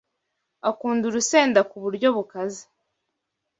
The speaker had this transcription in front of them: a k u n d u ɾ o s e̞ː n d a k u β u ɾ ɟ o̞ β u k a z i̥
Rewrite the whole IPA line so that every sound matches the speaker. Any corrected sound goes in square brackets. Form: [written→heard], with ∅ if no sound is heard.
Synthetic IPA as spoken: a k [u→uː] n d u ɾ [o→u] s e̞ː n d a k u β u ɾ ɟ o̞ β u k a z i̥